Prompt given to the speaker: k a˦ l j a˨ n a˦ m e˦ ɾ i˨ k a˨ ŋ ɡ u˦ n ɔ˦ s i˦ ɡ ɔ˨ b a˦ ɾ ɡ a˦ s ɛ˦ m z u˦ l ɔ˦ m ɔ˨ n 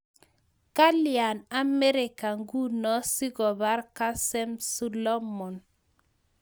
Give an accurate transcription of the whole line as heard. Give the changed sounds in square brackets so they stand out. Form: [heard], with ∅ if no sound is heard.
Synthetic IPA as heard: k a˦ l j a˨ n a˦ m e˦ ɾ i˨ k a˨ ŋ ɡ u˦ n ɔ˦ s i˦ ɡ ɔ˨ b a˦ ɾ [k] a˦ s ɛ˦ m [s] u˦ l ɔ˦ m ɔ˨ n